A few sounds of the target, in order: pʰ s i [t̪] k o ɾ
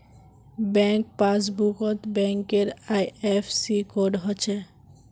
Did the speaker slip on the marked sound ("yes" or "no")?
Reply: yes